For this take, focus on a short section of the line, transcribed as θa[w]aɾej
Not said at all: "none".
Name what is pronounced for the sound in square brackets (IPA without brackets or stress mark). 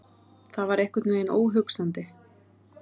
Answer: v